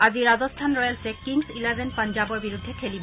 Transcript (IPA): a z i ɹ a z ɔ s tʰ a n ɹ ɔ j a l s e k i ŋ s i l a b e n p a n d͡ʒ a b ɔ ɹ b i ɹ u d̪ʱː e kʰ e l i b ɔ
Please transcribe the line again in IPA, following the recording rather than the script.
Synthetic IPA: a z i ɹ a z ɔ s tʰ a n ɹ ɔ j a l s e k i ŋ s i l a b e n p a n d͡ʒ a b ɔ ɹ b i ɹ u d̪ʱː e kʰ e l i b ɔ